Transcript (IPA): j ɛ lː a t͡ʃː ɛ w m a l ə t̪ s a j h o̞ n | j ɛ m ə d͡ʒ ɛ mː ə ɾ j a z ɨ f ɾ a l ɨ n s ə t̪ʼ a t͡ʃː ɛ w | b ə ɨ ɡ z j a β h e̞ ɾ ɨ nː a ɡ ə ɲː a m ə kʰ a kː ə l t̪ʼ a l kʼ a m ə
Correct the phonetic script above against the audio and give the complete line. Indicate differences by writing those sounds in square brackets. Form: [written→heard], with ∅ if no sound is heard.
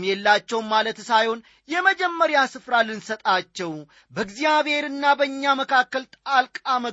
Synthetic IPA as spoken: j ɛ lː a t͡ʃː ɛ w m a l ə t̪ s a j h o̞ n | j ɛ m ə d͡ʒ ɛ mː ə ɾ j a [z→s] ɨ f ɾ a l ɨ n s ə t̪ʼ a t͡ʃː ɛ w | b ə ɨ ɡ z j a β h e̞ ɾ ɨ nː a [ɡ→b] ə ɲː a m ə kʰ a kː ə l t̪ʼ a l kʼ a m ə